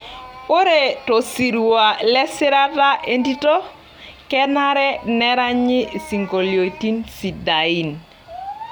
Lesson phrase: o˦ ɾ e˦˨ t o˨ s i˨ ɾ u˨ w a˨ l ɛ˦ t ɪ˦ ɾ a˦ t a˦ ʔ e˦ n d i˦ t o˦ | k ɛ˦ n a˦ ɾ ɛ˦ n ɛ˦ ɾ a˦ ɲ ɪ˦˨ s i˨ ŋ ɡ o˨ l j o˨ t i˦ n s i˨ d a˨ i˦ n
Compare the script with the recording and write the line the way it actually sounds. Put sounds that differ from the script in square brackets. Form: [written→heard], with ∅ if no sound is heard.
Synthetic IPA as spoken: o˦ ɾ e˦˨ t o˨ s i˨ ɾ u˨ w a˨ l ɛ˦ [t→s] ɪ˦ ɾ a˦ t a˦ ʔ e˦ n d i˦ t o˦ | k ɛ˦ n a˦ ɾ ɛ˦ n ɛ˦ ɾ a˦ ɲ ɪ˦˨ s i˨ ŋ ɡ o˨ l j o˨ t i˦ n s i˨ d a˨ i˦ n